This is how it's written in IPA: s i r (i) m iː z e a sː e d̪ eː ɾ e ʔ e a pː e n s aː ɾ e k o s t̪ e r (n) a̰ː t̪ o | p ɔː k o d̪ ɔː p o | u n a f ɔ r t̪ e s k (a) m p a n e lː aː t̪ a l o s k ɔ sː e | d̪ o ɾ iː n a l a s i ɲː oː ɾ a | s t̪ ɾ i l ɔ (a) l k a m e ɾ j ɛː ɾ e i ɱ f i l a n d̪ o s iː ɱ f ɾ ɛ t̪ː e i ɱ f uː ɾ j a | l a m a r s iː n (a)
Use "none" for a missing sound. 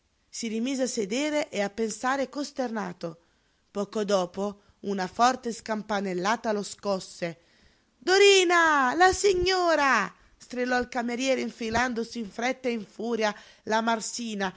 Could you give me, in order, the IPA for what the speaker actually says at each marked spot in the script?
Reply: i, n, a, i, a

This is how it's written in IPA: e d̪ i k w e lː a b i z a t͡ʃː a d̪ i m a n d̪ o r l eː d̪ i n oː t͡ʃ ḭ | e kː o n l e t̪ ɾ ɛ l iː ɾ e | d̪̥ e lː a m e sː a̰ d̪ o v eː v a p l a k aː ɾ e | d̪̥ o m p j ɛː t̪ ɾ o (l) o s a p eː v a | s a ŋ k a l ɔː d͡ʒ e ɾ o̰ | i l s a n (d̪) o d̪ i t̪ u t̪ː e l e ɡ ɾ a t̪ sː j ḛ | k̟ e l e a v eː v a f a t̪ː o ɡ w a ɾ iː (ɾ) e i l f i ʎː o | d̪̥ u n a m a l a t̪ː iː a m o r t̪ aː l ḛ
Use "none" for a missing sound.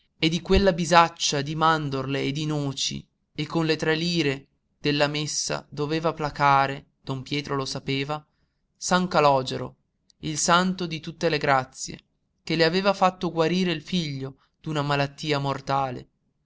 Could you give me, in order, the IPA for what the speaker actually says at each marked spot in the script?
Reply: l, t̪, ɾ

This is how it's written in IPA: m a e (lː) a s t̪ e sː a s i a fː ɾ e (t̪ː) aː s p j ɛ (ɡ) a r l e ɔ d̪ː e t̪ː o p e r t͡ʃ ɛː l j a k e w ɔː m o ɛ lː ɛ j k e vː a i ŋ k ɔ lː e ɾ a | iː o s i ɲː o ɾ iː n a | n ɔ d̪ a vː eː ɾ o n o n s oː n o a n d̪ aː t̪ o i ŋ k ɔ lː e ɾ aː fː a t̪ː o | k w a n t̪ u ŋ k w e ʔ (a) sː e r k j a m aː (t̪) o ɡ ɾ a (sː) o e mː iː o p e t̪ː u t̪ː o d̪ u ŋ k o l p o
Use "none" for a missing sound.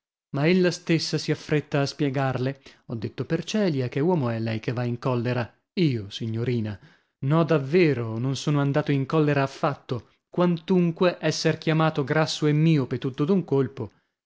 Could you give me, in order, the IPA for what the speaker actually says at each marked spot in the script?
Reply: lː, t̪ː, ɡ, ɛ, t̪, sː

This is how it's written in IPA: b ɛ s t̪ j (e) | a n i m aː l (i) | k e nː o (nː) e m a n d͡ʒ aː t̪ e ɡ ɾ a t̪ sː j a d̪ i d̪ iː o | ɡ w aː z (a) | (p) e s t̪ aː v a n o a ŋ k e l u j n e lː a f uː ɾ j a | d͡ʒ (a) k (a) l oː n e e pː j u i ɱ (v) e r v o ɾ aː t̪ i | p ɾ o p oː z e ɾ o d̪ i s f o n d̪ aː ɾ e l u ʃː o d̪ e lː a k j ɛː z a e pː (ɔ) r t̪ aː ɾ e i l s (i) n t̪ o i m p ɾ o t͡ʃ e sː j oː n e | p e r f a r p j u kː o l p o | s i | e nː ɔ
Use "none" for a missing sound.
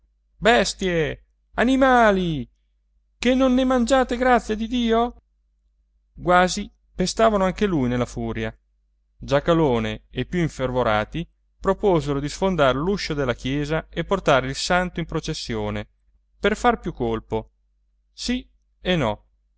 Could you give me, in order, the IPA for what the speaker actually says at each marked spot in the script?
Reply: e, i, nː, i, p, a, a, f, o, a

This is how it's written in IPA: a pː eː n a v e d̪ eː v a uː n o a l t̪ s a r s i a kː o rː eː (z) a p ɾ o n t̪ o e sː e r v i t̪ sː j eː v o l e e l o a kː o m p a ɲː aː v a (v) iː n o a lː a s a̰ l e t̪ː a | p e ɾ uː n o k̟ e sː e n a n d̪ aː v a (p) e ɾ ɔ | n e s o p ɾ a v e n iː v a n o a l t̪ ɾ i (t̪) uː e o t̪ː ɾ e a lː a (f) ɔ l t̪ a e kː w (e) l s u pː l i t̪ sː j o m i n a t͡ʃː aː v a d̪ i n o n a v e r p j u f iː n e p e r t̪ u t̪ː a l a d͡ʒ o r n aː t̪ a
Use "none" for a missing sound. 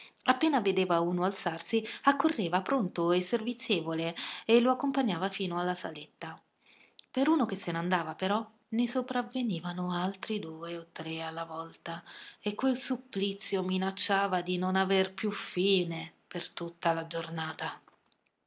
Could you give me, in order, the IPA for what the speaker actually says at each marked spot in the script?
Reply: v, f, p, d̪, v, e

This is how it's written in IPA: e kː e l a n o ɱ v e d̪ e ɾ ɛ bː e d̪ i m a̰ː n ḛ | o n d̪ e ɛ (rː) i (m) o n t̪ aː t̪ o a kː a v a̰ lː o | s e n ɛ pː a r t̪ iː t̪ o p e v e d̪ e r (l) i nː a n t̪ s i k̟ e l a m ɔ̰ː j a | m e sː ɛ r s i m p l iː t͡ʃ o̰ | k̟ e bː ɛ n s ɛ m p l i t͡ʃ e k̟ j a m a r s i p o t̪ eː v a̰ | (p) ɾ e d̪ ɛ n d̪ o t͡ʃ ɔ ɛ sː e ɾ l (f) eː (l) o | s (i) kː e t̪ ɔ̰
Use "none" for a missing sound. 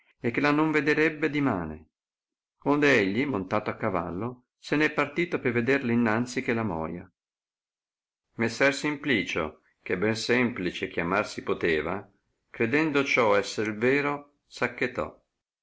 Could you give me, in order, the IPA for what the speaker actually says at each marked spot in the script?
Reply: ʎː, m, l, k, v, ɾ, a

